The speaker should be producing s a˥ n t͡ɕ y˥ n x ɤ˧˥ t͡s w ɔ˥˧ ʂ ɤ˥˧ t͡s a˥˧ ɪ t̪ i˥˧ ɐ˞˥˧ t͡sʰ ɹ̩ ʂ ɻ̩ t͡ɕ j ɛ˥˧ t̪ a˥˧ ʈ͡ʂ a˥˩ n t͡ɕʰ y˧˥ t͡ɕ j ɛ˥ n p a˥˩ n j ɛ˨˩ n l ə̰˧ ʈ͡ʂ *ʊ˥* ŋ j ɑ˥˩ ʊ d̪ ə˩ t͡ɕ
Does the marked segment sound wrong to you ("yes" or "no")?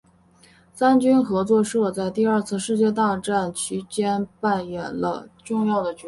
yes